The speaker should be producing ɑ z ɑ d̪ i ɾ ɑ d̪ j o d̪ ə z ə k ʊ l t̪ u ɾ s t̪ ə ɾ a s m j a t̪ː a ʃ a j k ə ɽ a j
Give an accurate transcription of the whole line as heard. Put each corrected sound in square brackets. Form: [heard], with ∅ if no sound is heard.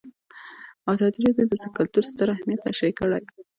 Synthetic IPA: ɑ z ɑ d̪ i ɾ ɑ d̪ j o d̪ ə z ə k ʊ l t̪ u ɾ s t̪ ə ɾ a [h] m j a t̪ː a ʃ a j k ə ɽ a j